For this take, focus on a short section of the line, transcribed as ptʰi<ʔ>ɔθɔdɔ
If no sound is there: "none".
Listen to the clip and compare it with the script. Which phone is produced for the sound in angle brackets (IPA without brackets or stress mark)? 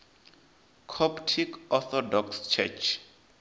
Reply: k